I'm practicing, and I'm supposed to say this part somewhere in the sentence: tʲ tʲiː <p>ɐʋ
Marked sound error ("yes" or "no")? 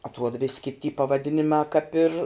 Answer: no